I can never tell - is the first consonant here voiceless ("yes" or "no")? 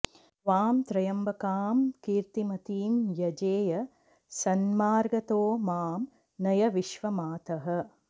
no